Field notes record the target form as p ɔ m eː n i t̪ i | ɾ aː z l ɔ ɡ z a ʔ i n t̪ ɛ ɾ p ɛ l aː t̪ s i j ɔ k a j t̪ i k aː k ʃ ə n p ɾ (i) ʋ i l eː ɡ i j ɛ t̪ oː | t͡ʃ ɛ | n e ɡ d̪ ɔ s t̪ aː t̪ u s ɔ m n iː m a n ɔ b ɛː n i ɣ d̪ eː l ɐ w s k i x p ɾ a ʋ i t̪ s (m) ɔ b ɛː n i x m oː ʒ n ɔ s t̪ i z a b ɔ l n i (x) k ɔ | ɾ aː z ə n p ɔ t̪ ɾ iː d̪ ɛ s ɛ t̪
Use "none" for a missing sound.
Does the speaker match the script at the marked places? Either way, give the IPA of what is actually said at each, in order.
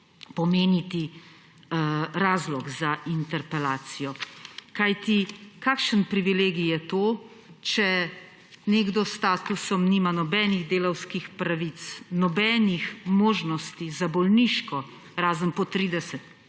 i, n, ʃ

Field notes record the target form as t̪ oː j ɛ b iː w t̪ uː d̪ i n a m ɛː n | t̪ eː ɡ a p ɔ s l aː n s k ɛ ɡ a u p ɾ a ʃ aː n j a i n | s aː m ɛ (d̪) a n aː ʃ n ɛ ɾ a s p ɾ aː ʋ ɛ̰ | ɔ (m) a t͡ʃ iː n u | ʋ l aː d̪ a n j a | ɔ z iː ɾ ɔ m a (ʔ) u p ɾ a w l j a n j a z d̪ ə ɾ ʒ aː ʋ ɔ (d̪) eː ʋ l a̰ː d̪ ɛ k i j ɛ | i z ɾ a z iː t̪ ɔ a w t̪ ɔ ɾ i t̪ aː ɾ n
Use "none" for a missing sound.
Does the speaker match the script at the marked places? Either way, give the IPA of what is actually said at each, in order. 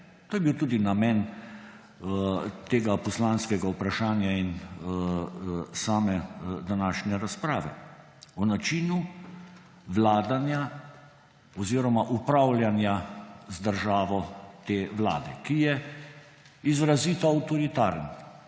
d̪, n, ʔ, t̪

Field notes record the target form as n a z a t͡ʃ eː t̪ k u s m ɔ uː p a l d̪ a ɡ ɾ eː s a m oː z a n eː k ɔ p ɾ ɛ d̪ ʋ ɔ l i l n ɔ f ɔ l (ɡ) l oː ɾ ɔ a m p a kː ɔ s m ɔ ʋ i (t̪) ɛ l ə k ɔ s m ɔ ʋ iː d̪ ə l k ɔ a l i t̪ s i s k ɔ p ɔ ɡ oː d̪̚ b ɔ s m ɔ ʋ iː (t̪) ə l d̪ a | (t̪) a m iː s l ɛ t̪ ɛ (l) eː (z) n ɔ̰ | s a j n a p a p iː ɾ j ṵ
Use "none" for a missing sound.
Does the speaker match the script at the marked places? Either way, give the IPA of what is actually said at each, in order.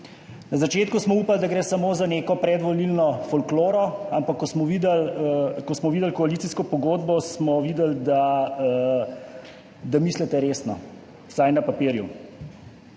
k, d̪, d̪, d̪, ɾ, s

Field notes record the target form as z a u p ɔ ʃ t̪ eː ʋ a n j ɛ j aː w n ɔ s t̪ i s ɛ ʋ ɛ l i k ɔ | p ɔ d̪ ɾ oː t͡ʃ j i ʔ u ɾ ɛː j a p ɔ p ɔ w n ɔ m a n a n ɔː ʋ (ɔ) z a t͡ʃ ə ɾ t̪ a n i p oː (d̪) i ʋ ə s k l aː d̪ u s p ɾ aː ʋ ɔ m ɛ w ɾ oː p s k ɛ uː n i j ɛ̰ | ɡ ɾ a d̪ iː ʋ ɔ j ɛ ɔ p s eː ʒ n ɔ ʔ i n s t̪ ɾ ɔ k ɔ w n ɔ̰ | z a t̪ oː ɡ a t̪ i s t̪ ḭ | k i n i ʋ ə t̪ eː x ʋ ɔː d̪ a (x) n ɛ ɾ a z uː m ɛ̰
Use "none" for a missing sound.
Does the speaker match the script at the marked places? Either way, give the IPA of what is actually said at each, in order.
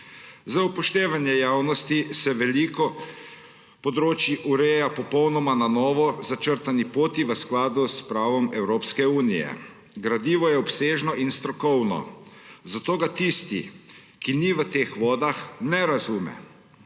ɔ, t̪, x

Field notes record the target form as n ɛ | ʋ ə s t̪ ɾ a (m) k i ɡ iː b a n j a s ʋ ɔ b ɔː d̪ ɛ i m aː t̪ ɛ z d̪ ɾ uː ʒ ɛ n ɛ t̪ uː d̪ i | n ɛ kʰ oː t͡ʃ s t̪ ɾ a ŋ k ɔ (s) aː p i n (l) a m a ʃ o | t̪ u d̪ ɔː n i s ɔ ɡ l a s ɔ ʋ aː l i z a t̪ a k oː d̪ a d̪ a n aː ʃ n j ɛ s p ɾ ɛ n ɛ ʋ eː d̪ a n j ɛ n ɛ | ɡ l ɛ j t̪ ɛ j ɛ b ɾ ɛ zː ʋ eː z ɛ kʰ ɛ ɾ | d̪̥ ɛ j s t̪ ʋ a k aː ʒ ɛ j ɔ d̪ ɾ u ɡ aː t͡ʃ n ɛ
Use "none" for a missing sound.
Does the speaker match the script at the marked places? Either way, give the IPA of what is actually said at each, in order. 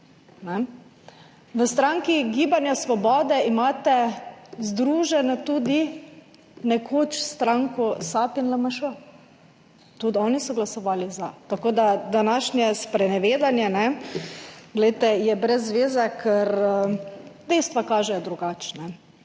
ŋ, s, l

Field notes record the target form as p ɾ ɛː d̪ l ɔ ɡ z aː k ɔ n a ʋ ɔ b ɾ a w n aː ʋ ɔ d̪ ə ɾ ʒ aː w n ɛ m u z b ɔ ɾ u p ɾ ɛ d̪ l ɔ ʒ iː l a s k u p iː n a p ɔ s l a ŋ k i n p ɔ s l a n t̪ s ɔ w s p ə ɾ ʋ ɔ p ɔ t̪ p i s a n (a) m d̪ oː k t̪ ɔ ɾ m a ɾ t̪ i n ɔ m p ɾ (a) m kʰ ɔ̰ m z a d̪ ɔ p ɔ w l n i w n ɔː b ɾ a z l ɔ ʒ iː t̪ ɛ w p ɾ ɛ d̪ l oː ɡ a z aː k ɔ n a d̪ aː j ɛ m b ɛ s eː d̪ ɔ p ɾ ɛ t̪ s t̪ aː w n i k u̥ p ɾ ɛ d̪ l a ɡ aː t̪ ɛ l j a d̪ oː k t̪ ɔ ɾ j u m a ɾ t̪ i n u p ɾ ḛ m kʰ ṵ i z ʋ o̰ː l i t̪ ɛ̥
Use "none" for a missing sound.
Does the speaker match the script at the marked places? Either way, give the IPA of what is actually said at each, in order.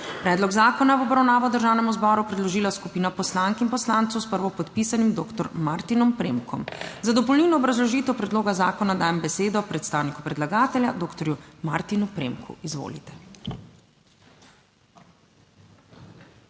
i, e

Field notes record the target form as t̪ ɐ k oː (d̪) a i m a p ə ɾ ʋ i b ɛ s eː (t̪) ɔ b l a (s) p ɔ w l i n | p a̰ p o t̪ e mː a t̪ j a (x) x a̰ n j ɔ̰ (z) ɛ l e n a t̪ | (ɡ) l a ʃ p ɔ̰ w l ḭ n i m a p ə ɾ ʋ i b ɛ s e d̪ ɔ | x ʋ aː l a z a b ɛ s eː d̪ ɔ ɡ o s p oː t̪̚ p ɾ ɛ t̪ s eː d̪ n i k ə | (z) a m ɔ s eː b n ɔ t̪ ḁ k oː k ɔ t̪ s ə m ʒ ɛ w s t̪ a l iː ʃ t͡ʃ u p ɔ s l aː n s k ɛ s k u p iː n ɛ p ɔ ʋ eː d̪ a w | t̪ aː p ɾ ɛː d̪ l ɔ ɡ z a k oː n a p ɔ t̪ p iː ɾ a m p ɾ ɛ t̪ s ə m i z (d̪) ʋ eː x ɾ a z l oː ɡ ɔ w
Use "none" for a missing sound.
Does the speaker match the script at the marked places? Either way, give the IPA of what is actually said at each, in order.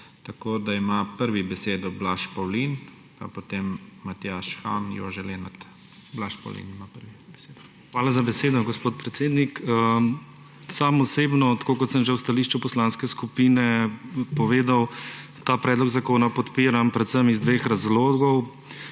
d̪, d̪, ʃ, ʃ, ʒ, b, s, d̪

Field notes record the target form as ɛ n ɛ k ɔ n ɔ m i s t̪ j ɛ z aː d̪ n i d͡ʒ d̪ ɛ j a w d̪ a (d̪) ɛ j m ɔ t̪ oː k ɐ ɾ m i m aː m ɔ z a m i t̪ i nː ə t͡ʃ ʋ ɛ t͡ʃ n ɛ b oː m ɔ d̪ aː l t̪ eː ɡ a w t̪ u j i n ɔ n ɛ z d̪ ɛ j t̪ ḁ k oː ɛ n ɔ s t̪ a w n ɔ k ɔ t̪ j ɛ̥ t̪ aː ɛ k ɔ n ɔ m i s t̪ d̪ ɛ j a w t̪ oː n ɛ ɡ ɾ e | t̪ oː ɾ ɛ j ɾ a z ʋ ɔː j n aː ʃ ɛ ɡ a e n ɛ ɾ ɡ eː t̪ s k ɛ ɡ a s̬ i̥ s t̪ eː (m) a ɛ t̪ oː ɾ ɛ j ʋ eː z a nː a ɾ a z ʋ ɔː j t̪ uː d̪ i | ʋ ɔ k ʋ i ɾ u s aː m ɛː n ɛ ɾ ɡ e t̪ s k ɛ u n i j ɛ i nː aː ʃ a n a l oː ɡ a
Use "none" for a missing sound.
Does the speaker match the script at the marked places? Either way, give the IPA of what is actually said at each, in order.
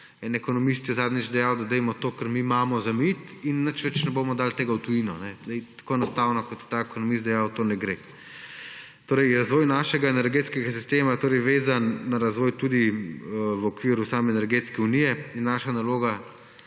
d̪, m

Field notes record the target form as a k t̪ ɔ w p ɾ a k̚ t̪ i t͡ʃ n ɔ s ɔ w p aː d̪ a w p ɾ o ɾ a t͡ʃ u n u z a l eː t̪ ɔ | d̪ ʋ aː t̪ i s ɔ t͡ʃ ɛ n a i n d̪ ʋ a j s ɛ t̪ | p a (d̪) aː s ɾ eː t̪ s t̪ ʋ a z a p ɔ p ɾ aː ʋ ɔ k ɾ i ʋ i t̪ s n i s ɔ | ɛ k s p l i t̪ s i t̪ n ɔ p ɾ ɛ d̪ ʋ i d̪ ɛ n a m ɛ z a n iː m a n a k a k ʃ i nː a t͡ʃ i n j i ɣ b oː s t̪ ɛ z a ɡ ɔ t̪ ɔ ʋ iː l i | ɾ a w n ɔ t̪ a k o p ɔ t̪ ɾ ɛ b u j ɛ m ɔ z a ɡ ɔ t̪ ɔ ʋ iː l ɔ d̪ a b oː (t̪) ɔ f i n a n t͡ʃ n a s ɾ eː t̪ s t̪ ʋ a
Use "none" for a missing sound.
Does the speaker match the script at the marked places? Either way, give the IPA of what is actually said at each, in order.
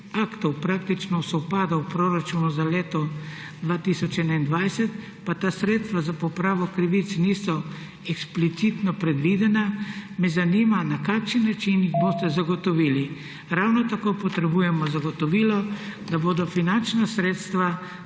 t̪, d̪

